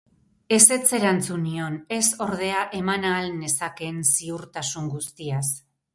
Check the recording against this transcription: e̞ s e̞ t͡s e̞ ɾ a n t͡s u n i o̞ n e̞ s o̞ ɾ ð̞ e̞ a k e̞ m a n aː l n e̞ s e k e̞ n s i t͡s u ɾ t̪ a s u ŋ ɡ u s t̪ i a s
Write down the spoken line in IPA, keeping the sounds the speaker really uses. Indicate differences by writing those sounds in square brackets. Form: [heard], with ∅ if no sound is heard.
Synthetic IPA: e̞ s e̞ t͡s e̞ ɾ a n t͡s u n i o̞ n e̞ s o̞ ɾ ð̞ e̞ a [ʔ] e̞ m a n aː l n e̞ s [a] k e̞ n s i [∅] u ɾ t̪ a s u ŋ ɡ u s t̪ i a s